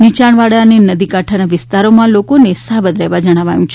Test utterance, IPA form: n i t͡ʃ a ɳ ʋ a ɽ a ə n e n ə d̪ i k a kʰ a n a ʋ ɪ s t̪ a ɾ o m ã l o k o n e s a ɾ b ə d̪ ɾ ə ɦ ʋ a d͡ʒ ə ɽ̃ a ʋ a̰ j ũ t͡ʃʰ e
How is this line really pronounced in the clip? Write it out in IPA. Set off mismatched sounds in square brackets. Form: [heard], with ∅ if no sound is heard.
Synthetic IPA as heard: n i t͡ʃ a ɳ ʋ a ɽ a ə n e n ə d̪ i k a [ʈʰ] a n a ʋ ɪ s t̪ a ɾ o m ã l o k o n e s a [∅] b ə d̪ ɾ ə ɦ ʋ a d͡ʒ ə ɽ̃ a ʋ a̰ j ũ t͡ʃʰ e